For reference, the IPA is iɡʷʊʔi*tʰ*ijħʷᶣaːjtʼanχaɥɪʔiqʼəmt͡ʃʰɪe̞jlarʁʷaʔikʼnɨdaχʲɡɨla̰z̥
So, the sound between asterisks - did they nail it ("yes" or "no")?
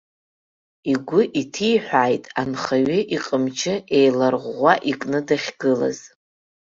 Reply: yes